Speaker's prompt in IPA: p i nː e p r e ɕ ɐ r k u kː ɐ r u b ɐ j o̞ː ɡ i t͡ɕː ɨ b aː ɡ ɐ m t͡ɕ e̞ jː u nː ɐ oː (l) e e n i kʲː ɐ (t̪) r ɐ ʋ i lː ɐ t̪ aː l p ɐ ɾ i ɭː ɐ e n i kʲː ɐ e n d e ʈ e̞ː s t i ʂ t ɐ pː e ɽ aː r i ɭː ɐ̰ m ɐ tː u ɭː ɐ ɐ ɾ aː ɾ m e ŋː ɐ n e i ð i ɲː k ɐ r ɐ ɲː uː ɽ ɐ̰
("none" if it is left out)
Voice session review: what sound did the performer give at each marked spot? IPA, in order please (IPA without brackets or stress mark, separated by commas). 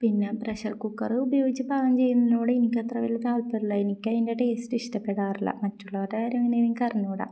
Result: ɽ, t̪